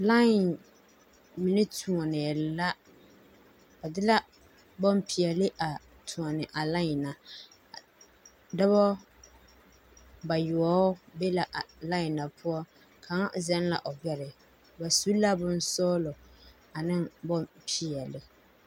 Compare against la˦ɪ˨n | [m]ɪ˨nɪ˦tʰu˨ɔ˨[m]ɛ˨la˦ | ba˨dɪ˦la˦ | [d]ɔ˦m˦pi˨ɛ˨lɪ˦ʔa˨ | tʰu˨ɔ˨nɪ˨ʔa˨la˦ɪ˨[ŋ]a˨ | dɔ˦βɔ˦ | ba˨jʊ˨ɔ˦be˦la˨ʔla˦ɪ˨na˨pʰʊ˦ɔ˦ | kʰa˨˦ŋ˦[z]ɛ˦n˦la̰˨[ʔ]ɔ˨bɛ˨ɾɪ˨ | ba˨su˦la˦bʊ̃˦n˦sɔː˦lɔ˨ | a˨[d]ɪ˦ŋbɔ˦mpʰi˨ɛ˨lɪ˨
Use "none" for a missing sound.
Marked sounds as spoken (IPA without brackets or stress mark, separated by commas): m, n, b, n, z, ʔ, n